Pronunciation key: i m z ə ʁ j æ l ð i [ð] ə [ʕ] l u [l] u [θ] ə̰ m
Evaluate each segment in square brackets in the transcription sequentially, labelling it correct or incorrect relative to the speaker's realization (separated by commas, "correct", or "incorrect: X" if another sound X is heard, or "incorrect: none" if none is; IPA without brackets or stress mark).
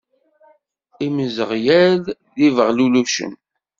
incorrect: v, incorrect: ʁ, correct, incorrect: ʃ